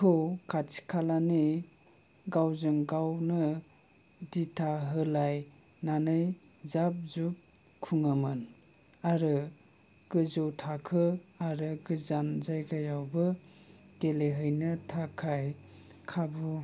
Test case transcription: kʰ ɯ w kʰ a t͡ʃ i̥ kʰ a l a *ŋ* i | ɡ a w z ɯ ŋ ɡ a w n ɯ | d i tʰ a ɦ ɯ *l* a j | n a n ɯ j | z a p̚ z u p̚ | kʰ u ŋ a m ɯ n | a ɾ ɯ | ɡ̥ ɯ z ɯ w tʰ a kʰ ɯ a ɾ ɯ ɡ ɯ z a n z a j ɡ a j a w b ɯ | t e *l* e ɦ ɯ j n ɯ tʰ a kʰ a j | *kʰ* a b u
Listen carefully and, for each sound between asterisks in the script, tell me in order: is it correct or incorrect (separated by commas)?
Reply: incorrect, correct, correct, correct